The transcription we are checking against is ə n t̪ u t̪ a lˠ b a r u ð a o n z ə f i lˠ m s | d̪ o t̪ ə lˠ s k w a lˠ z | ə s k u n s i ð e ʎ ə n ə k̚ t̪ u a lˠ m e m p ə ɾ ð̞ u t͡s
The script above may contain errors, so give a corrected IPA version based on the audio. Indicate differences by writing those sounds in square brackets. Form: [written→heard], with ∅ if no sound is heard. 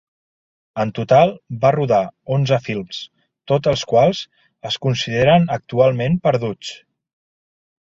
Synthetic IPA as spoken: ə n t̪ u t̪ a lˠ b a r u ð a o n z ə f i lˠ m s | [d̪→t̪] o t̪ ə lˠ s k w a lˠ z | ə s k u n s i ð e [ʎ→ɾ] ə n ə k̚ t̪ u a lˠ m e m p ə ɾ ð̞ u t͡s

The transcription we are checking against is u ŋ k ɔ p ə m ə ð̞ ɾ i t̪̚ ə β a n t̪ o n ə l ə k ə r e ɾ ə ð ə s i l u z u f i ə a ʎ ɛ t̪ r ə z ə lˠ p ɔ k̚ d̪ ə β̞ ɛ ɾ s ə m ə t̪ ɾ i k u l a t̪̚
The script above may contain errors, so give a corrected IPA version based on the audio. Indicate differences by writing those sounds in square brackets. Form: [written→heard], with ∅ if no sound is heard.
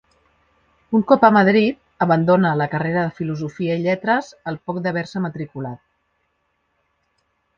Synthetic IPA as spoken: u ŋ k ɔ p ə m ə ð̞ ɾ i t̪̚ ə β [a→ə] n [t̪→d̪] o n ə l ə k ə r e ɾ ə ð ə [s→f] i l u z u f i ə [a→i] ʎ ɛ t̪ [r→ɾ] ə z ə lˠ p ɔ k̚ d̪ ə β̞ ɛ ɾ s ə m ə t̪ ɾ i k u l a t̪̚

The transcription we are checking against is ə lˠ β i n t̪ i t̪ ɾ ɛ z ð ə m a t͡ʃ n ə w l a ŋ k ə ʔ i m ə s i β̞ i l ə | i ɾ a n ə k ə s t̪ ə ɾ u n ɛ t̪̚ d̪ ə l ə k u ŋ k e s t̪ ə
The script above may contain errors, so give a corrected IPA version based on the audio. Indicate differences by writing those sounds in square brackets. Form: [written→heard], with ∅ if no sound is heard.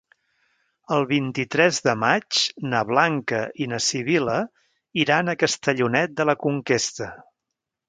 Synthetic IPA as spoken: ə lˠ β i n t̪ i t̪ ɾ ɛ z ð ə m a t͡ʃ n ə [w→β] l a ŋ k ə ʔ i [m→n] ə s i β̞ i l ə | i ɾ a n ə k ə s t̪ ə [ɾ→ʎ] u n ɛ t̪̚ d̪ ə l ə k u ŋ k e s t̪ ə

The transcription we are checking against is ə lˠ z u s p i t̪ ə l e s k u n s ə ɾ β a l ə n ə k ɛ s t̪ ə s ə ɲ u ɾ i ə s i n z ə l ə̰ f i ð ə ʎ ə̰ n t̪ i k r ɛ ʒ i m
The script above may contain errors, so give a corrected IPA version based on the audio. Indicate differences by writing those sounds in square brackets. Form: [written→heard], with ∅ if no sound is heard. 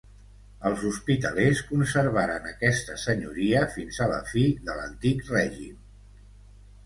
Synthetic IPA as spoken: ə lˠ z u s p i t̪ ə l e s k u n s ə ɾ β a [l→ɾ] ə n ə k ɛ s t̪ ə s ə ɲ u ɾ i ə [s→f] i n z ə l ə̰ f i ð ə [ʎ→l] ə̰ n t̪ i k r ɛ ʒ i m

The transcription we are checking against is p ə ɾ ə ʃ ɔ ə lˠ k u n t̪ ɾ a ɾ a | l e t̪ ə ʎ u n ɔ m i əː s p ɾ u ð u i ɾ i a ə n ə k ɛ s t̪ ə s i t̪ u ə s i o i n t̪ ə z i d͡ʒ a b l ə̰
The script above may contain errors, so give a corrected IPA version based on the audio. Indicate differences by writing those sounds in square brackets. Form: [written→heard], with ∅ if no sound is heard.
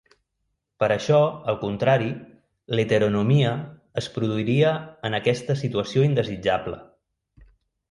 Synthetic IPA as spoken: p ə ɾ ə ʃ ɔ ə lˠ k u n t̪ ɾ a ɾ [a→i] | l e t̪ ə [ʎ→ɾ] u n [ɔ→u] m i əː s p ɾ u ð u i ɾ i [a→ə] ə n ə k ɛ s t̪ ə s i t̪ u ə s i o i n [t̪→d̪] ə z i d͡ʒ a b l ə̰

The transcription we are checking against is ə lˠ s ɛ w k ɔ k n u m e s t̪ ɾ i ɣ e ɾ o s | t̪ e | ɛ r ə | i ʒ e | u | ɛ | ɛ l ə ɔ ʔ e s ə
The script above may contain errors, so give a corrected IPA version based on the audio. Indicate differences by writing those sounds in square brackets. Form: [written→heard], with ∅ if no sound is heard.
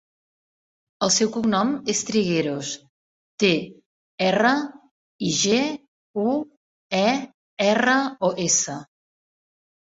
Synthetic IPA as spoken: ə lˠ s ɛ w k [ɔ→u] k n [u→ɔ] m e s t̪ ɾ i ɣ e ɾ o s | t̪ e | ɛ r ə | i ʒ e | u | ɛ | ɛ [l→r] ə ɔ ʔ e s ə

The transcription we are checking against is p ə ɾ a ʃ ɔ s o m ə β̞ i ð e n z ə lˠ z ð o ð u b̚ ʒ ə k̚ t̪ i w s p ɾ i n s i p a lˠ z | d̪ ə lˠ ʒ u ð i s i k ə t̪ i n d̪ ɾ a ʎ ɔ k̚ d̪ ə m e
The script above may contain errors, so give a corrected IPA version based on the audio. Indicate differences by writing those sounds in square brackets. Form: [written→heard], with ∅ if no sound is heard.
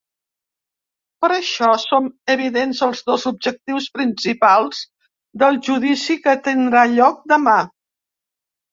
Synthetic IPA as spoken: p ə ɾ [a→ə] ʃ ɔ s o m ə β̞ i ð e n z ə lˠ z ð o [ð→z] u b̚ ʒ ə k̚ t̪ i w s p ɾ i n s i p a lˠ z | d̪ ə lˠ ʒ u ð i s i k ə t̪ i n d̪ ɾ a ʎ ɔ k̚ d̪ ə m [e→a]

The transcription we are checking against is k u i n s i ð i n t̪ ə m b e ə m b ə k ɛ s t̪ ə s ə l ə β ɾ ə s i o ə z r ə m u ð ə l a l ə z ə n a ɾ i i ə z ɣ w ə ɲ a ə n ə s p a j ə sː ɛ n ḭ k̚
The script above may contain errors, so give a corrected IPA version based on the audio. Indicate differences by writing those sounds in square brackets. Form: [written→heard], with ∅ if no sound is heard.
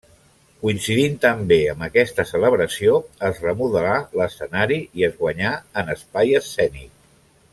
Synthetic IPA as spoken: k u i n s i ð i n t̪ ə m b e ə m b ə k ɛ s t̪ ə s ə l ə β ɾ ə s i o ə z r ə m u ð ə l a l ə [z→s] ə n a ɾ i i ə z ɣ w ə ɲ a ə n ə s p a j ə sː ɛ n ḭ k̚

